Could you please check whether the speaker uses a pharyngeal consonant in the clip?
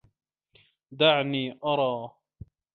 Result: yes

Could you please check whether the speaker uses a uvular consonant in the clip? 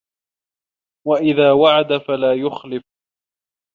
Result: no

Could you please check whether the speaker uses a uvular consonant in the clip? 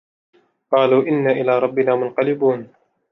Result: yes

